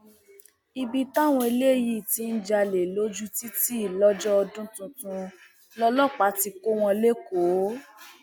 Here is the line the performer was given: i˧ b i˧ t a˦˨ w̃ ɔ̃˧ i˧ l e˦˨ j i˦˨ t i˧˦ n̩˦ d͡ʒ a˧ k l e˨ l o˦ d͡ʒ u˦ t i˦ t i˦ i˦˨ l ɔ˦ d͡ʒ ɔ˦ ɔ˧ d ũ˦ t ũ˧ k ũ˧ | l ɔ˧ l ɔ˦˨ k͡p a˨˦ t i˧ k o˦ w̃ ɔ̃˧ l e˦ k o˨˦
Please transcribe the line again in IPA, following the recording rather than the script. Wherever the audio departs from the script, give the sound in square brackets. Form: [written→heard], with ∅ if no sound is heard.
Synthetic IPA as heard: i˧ b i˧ t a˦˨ w̃ ɔ̃˧ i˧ l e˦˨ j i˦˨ t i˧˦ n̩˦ d͡ʒ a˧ [k→∅] l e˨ l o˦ d͡ʒ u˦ t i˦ t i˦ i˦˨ l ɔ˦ d͡ʒ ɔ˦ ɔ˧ d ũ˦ t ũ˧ [k→t] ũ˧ | l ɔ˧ l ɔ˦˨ k͡p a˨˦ t i˧ k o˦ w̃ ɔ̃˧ l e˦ k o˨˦